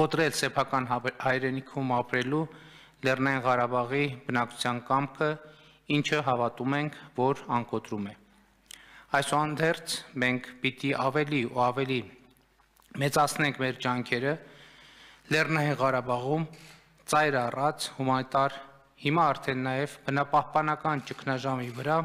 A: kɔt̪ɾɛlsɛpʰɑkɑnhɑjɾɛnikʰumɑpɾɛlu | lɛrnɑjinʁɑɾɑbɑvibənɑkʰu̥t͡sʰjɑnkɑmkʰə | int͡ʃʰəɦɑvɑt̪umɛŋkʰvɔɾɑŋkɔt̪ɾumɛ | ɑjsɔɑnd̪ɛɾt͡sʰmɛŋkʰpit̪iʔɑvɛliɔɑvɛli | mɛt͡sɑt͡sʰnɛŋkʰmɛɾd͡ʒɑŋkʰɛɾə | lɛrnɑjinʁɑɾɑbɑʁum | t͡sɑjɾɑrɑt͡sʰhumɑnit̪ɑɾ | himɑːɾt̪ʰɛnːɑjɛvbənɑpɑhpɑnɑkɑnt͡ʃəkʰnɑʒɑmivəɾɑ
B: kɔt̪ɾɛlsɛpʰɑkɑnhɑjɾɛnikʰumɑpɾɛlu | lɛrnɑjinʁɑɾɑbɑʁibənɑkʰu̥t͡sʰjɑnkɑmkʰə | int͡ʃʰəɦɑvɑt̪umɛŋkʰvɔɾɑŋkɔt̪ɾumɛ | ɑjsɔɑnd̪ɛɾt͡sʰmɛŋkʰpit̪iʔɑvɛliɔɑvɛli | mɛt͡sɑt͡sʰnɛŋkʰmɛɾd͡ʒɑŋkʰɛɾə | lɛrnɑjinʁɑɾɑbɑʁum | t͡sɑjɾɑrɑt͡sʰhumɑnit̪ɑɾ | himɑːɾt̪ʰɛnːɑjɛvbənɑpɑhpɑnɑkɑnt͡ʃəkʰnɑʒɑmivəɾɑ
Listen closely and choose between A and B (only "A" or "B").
B